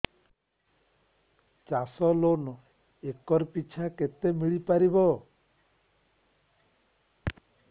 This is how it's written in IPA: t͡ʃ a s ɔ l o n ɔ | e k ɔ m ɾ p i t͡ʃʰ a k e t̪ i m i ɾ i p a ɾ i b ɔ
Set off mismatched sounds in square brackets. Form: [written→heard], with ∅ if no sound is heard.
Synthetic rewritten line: t͡ʃ a s ɔ l o n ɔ | e k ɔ [m→∅] ɾ p i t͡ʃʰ a k e t̪ [i→e] m i [ɾ→ɭ] i p a ɾ i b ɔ